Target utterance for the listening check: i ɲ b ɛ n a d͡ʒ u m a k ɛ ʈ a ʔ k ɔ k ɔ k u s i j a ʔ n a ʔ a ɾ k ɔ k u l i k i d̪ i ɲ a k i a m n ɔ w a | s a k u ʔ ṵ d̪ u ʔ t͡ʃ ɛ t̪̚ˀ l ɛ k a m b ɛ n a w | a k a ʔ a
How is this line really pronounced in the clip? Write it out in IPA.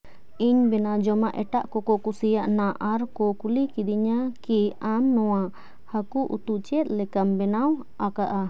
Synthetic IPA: i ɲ b ɛ n a d͡ʒ ɔ m a ʔ ɛ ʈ a ʔ k ɔ k ɔ k u s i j a ʔ n a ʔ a ɾ k ɔ k u l i k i d̪ i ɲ a k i a m n ɔ w a | h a k u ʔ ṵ t̪ u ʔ t͡ʃ ɛ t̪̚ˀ l ɛ k a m b ɛ n a w | a k a ʔ a